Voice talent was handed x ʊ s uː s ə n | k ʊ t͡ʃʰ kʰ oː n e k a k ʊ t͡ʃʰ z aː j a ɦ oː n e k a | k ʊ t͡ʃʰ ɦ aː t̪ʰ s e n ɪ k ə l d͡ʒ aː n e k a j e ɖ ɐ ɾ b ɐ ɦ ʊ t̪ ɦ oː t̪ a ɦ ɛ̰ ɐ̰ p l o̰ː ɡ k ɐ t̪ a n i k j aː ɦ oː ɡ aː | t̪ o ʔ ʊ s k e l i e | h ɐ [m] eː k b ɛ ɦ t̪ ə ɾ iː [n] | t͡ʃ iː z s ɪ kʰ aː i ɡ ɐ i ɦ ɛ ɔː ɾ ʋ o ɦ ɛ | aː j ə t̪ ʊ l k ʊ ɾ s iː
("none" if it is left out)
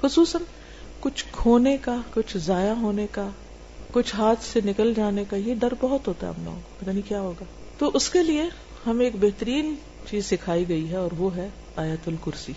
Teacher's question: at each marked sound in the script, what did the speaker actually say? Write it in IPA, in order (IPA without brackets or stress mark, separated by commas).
m, n